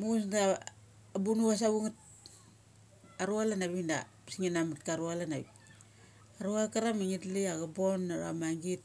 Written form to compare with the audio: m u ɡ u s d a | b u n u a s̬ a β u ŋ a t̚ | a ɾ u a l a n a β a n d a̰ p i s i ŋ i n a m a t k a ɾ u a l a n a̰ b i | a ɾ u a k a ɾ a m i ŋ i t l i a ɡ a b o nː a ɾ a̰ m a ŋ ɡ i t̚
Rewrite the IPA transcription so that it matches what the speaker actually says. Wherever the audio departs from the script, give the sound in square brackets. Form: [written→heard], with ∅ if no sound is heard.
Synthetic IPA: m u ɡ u s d a | b u n u a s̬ a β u ŋ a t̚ | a ɾ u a l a n a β [a→i] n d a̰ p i s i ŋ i n a m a t k a ɾ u a l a n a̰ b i | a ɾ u a k a ɾ a m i ŋ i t l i a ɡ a b o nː a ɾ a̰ m a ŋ ɡ i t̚